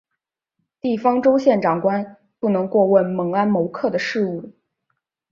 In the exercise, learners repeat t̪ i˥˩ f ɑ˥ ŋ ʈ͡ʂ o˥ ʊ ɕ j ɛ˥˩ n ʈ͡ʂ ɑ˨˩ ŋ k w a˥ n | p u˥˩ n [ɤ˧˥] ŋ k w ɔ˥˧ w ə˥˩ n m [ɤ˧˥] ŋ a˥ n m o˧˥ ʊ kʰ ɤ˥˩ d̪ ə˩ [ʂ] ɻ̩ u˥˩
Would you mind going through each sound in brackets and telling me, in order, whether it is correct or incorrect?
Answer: correct, correct, correct

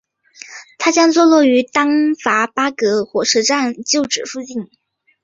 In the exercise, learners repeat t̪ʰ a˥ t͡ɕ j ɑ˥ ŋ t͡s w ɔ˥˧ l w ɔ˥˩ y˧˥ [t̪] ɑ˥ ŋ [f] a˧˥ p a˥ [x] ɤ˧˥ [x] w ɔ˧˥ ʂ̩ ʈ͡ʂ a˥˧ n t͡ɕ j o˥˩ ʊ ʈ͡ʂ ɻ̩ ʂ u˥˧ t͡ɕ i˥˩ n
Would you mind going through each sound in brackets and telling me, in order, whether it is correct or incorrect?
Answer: correct, correct, incorrect: k, correct

